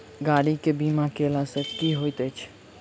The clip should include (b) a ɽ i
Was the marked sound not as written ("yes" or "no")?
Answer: yes